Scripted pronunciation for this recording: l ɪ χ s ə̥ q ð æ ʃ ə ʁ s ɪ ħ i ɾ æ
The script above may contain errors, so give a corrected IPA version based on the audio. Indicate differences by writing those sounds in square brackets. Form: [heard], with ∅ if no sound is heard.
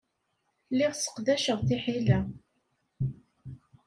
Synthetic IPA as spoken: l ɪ [ʁ] s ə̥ q ð æ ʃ ə ʁ [θ] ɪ ħ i [l] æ